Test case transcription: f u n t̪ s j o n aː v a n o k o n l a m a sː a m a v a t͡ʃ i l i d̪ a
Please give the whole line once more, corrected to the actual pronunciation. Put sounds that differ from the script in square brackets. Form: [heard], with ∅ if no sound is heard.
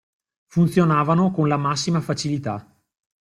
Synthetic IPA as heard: f u n t̪ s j o n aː v a n o k o n l a m a sː [i] m a [f] a t͡ʃ i l i [t̪] a